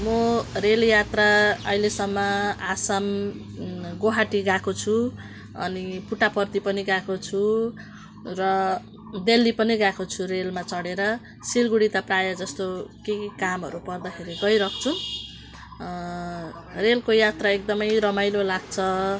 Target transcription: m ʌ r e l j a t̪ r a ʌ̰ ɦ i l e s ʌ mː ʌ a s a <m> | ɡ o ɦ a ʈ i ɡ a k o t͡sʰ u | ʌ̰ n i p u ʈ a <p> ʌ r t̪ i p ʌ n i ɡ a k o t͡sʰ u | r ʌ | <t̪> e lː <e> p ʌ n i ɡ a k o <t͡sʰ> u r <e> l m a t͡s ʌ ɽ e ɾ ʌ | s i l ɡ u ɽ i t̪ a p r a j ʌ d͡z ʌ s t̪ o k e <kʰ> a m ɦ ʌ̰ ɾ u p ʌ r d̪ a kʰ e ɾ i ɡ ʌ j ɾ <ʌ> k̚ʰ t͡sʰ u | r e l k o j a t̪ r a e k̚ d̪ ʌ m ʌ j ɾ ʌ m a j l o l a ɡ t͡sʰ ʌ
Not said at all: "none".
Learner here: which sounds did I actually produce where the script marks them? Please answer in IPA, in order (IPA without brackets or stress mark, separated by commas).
m, p, d̪, i, t͡sʰ, e, k, ʌ